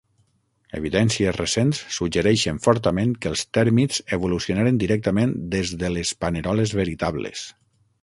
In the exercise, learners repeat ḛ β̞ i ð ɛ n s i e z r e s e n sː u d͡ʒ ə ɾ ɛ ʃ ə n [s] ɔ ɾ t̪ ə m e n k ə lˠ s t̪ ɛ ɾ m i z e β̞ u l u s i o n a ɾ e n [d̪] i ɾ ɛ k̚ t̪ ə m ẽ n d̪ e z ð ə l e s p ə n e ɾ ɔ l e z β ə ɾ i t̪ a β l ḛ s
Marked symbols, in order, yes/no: no, yes

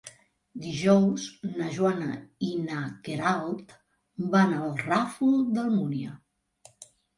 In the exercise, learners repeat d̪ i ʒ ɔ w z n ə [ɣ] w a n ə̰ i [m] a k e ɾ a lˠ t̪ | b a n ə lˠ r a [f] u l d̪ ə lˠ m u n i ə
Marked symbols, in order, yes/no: no, no, yes

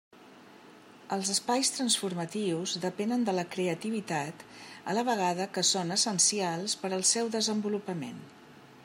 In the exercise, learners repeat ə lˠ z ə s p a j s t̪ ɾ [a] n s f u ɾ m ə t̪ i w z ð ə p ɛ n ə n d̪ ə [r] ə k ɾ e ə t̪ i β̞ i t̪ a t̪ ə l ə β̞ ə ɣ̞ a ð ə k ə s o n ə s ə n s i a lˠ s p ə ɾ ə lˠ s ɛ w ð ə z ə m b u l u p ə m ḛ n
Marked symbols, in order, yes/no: no, no

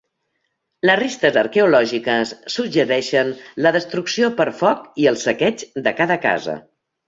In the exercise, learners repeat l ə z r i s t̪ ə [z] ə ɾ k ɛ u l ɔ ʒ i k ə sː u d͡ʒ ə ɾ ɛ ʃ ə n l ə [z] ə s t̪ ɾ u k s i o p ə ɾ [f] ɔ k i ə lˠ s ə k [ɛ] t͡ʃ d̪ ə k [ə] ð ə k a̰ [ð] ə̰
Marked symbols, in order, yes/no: yes, no, yes, yes, no, no

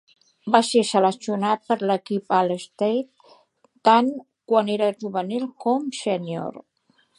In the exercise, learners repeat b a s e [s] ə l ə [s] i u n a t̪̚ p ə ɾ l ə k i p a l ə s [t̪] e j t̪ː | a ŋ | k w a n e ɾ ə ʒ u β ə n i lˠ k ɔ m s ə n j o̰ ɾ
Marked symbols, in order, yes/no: yes, yes, yes

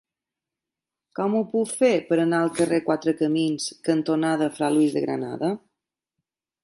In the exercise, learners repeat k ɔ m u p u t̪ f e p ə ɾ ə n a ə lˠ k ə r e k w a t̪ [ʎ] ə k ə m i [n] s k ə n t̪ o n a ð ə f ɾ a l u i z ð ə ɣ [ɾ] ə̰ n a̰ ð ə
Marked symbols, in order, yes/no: no, yes, yes

